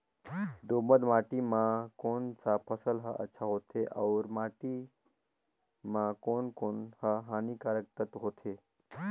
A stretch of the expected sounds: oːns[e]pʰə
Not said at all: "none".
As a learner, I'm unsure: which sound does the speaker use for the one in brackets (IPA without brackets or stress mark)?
a